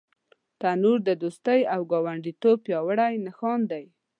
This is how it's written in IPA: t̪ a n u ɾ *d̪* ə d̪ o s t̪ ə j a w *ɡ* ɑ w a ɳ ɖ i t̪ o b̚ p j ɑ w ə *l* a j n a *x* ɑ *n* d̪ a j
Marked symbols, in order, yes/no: yes, yes, no, yes, yes

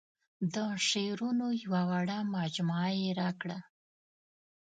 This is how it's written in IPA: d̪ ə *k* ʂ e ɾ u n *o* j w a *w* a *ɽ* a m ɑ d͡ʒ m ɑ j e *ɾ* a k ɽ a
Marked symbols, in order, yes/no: no, yes, yes, yes, yes

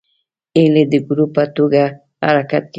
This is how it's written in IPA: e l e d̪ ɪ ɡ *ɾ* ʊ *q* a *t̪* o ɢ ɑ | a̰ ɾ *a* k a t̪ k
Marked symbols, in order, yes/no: yes, no, yes, yes

